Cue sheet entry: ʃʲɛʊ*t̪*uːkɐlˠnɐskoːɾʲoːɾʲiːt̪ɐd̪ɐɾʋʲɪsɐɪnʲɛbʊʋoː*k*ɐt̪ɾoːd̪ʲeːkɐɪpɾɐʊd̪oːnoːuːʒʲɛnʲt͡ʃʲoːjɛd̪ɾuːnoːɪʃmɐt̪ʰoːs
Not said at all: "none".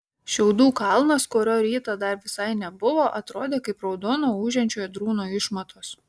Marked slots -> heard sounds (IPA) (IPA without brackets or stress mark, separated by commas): d̪, ʔ